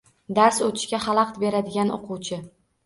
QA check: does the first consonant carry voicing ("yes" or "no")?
yes